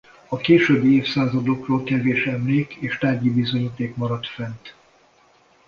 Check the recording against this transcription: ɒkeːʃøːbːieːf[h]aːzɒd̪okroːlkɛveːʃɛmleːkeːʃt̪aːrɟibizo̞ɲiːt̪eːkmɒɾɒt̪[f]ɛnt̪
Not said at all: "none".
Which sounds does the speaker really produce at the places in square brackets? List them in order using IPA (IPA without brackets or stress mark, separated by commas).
s, f